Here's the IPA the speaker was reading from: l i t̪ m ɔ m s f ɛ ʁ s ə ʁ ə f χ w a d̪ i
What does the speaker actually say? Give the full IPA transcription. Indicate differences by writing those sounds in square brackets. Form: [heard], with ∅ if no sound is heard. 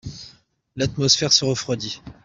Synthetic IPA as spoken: l [a] t̪ m ɔ [∅] s f ɛ ʁ s ə ʁ ə f χ w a d̪ i

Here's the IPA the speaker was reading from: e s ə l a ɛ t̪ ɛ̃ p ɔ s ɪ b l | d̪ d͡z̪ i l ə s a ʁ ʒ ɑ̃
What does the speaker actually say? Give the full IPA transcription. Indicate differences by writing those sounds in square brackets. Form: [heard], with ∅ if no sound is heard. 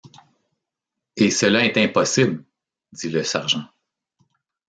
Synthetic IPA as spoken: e s ə l a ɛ t̪ ɛ̃ p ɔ s ɪ b l | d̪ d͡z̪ i l ə s a ʁ ʒ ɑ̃

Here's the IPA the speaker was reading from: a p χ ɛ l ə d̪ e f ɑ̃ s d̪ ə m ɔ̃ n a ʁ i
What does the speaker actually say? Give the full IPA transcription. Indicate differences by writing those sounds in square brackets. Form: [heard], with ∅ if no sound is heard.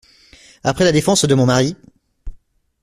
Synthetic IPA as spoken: a p χ ɛ l [a] d̪ e f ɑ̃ s d̪ ə m ɔ̃ [m] a ʁ i

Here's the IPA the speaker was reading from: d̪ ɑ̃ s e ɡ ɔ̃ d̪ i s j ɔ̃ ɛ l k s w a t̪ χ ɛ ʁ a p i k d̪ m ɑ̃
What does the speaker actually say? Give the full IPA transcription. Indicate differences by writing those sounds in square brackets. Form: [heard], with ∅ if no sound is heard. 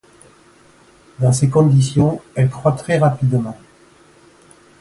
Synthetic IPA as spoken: d̪ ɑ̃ s e [k] ɔ̃ d̪ i s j ɔ̃ ɛ l k [χ] w a t̪ χ ɛ ʁ a p i [∅] d̪ m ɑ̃

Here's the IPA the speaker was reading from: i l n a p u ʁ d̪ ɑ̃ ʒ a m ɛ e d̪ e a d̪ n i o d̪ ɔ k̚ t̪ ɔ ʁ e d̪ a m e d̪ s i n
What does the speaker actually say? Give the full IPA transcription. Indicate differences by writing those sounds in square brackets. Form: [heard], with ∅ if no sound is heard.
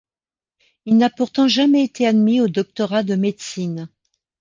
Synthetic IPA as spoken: i l n a p u ʁ [t̪] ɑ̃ ʒ a m ɛ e [t̪] e a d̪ [m] i o d̪ ɔ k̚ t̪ ɔ ʁ [a] d̪ [ə] m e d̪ s i n

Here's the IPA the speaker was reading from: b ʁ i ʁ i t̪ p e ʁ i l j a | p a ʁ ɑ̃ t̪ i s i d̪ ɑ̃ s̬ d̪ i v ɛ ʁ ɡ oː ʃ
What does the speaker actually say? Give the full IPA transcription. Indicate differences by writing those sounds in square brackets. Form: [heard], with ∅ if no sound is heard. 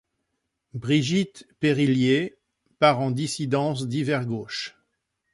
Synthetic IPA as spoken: b ʁ i [ʒ] i t̪ p e ʁ i l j [e] | p a ʁ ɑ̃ [d̪] i s i d̪ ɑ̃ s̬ d̪ i v ɛ ʁ ɡ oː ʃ

